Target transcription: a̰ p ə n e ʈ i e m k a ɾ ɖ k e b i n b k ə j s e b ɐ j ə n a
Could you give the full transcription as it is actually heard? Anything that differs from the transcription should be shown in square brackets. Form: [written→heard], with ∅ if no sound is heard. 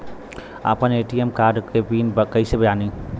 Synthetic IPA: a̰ p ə n e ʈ i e m k a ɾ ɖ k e b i n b k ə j s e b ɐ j [ə→a] n [a→i]